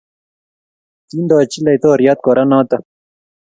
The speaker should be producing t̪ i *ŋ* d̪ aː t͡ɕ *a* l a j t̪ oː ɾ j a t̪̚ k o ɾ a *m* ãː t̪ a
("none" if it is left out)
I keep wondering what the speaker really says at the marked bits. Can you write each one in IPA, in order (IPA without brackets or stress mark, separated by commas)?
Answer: n, i, n